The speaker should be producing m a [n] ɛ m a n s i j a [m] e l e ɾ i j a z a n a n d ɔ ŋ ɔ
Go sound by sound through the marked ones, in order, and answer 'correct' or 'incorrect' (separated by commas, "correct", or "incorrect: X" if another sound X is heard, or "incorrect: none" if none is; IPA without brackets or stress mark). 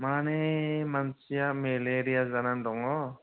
correct, correct